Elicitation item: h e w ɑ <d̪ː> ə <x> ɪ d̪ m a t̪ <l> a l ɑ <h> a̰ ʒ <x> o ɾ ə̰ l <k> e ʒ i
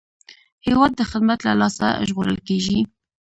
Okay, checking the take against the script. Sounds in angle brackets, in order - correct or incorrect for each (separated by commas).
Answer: correct, correct, correct, incorrect, incorrect, correct